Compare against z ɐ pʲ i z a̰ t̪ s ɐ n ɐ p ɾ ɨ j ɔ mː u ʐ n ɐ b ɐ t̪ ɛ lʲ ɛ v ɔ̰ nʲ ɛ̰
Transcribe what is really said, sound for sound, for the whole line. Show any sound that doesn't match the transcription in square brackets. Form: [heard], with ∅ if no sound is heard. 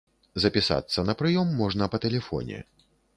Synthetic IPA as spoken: z ɐ pʲ i [s] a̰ t̪ [sː] ɐ n ɐ p ɾ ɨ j ɔ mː [ɔ] ʐ n ɐ [p] ɐ t̪ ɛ lʲ ɛ [f] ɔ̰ nʲ ɛ̰